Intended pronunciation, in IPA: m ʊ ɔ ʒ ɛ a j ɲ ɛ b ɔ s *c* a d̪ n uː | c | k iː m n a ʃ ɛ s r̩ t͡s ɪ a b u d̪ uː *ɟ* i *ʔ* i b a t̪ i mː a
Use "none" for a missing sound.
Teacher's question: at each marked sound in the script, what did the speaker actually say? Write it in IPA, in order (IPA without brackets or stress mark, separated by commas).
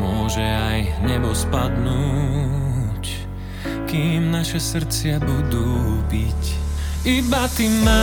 p, b, c